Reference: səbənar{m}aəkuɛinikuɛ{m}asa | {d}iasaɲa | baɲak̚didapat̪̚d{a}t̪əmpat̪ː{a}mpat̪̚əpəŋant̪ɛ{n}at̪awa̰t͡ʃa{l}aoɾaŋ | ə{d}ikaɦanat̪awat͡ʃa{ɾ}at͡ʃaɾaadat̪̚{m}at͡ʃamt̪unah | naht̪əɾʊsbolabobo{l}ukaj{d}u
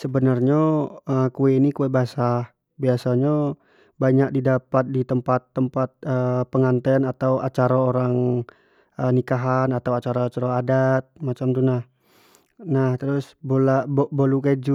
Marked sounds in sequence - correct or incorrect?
incorrect: ɲ, incorrect: b, incorrect: b, incorrect: i, incorrect: ə, correct, incorrect: ɾ, incorrect: n, correct, correct, correct, incorrect: d͡ʒ

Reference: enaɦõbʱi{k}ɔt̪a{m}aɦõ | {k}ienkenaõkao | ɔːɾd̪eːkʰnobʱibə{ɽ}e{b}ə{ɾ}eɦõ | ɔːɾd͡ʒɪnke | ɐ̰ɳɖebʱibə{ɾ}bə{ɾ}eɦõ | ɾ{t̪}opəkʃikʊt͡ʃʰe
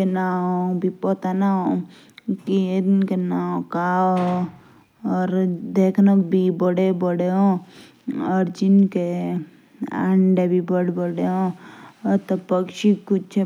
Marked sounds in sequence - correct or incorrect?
incorrect: p, incorrect: n, correct, correct, correct, incorrect: ɽ, incorrect: ɽ, incorrect: ɽ, correct

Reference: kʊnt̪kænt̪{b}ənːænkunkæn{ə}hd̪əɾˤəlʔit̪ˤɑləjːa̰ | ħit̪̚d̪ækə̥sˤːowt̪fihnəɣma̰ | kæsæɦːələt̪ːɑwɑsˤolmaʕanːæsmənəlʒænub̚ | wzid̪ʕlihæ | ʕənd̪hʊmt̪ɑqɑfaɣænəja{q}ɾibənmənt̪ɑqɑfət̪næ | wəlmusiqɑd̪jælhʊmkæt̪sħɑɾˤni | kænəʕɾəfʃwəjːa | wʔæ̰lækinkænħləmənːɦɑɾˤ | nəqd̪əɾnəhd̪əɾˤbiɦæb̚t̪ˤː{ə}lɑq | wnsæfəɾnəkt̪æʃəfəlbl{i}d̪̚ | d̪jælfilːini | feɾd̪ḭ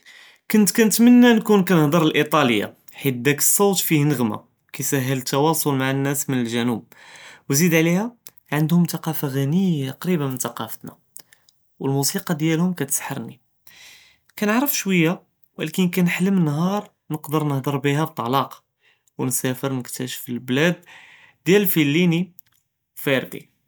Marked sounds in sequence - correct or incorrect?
incorrect: m, correct, correct, incorrect: ɑ, incorrect: æ

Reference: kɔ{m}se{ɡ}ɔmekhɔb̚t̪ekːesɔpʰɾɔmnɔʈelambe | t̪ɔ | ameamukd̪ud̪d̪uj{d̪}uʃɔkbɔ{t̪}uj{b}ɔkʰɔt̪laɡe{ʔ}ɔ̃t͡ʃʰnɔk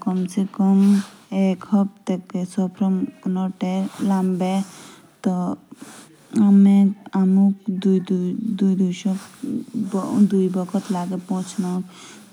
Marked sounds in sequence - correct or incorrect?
correct, incorrect: k, correct, incorrect: d̪, correct, incorrect: p

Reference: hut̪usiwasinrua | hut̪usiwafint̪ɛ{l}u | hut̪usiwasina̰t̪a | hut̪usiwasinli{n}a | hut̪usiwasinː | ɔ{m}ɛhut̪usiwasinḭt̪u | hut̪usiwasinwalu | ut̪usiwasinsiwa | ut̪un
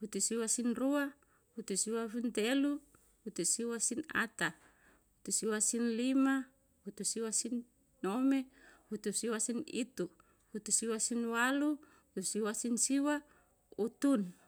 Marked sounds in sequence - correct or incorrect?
correct, incorrect: m, correct

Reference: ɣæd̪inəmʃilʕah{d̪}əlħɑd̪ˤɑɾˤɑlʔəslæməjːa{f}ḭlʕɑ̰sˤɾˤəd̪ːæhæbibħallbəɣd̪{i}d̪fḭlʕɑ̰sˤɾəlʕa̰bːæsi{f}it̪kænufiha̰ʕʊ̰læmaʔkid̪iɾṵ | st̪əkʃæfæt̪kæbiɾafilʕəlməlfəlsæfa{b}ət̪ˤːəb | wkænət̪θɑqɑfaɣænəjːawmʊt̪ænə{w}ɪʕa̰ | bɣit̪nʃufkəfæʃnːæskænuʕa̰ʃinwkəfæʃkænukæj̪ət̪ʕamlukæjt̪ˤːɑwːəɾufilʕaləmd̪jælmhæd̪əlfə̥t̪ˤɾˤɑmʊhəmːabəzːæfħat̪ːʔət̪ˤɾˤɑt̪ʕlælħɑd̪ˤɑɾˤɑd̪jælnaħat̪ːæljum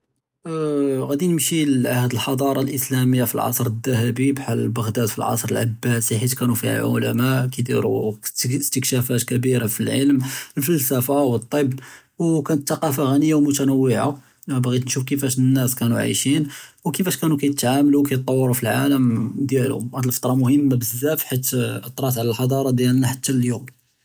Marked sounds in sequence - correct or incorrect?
correct, correct, incorrect: æ, incorrect: ħ, incorrect: w, incorrect: wː

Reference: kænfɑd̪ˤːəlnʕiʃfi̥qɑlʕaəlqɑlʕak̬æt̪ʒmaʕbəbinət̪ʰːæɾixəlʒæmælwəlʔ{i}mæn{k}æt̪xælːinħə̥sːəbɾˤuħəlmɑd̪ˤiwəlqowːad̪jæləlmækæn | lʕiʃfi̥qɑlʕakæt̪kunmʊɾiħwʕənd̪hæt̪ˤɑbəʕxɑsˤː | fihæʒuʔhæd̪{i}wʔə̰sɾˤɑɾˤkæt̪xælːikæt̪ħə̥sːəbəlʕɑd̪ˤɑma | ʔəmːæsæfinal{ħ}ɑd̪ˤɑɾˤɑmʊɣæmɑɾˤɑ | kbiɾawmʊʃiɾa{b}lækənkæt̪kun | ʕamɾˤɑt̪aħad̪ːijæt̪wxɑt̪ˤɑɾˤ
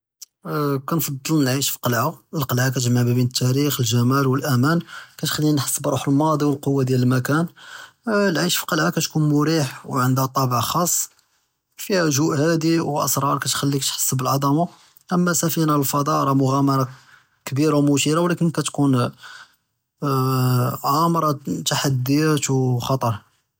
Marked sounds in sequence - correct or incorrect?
incorrect: æ, correct, correct, incorrect: f, incorrect: w

